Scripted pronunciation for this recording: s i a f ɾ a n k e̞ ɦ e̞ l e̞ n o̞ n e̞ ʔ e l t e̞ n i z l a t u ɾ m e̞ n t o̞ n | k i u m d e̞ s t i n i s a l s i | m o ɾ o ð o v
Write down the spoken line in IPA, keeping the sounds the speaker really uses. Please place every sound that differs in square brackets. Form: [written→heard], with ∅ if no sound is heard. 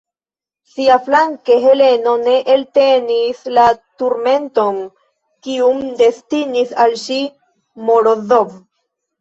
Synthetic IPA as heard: s i a f [ɾ→l] a [n→ŋ] k e̞ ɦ e̞ l e̞ n o̞ n e̞ ʔ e l t e̞ n i [z→s] l a t u ɾ m e̞ n t o̞ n | k i u m d e̞ s t i n i s a l [s→ʃ] i | m o ɾ o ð o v